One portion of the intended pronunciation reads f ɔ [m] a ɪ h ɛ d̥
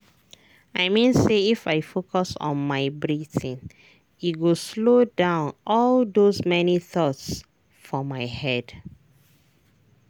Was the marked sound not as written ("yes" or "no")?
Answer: no